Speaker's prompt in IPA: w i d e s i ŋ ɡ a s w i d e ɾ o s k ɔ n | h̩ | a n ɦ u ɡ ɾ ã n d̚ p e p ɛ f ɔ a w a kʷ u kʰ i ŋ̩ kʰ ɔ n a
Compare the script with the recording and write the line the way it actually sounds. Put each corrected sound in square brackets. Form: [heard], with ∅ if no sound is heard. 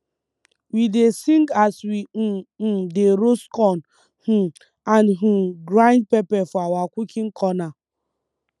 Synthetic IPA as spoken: w i d e s i ŋ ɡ a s w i d e ɾ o s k ɔ n | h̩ | a n ɦ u ɡ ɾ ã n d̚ p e p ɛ f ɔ a w a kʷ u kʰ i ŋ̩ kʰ ɔ n a